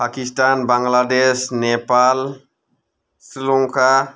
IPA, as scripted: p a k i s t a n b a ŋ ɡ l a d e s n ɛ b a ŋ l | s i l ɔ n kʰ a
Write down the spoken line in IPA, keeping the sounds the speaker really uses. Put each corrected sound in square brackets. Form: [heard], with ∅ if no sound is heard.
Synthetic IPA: p a k i s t a n b a ŋ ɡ l a d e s n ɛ [p] a [∅] l | s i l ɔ [ŋ] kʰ a